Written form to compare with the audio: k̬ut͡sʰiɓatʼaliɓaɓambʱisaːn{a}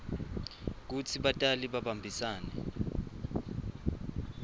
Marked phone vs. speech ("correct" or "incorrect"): incorrect